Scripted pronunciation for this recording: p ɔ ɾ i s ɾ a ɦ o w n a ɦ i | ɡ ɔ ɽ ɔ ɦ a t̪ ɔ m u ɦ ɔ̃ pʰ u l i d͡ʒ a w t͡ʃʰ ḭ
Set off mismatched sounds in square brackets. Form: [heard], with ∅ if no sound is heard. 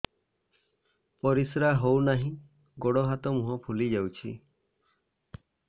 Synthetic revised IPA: p ɔ ɾ i s ɾ a ɦ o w n a ɦ [ĩ] | ɡ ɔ ɽ ɔ ɦ a t̪ ɔ m u ɦ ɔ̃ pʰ u l i d͡ʒ a w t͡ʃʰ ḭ